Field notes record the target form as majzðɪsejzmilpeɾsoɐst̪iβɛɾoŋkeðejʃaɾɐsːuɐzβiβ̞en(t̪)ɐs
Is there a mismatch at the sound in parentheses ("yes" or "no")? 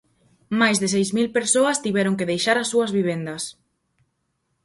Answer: yes